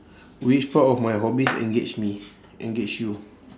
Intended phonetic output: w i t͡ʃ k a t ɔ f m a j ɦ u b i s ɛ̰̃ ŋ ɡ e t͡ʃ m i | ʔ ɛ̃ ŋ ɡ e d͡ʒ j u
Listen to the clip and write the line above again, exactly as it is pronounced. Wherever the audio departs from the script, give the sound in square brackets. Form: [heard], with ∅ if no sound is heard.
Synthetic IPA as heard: w i t͡ʃ [p] a t ɔ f m a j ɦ [ɔ] b i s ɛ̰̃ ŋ ɡ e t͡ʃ m i | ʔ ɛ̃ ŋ ɡ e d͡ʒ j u